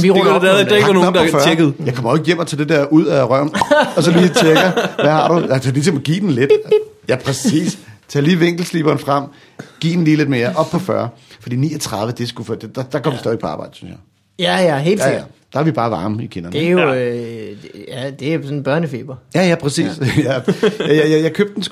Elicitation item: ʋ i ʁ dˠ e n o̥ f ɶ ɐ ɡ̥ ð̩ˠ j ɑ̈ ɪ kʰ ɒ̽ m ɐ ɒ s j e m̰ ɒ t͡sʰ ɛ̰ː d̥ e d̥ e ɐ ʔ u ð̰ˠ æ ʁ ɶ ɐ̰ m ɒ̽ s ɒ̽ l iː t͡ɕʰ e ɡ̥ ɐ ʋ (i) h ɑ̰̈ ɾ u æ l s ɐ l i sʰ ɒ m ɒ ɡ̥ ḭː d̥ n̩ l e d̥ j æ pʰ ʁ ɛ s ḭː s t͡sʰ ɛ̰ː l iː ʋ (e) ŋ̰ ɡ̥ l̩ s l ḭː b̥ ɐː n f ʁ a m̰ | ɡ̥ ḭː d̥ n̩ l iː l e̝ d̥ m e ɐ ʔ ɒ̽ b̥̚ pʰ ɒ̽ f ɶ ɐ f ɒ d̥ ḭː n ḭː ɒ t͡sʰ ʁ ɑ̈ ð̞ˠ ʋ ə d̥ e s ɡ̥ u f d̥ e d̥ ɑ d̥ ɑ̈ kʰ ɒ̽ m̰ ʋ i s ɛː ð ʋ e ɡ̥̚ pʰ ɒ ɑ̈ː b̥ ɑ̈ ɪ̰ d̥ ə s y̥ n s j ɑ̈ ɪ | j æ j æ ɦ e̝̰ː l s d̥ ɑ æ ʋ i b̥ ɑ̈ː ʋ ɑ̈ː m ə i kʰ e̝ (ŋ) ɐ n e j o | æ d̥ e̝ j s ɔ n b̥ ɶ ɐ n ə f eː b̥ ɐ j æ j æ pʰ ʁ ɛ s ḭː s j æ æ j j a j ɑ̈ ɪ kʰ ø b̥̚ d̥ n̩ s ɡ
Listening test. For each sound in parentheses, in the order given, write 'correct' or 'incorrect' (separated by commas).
incorrect, correct, incorrect